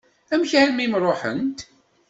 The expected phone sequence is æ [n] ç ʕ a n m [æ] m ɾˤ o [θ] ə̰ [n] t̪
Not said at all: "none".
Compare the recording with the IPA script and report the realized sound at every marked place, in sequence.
m, i, ħ, n

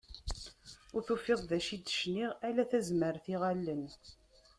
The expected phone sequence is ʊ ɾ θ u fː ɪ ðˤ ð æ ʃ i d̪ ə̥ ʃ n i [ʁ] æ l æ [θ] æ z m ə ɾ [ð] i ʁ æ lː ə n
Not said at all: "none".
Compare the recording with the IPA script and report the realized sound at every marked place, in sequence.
ʁ, θ, θ

